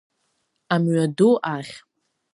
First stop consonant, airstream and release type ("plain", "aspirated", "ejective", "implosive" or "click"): plain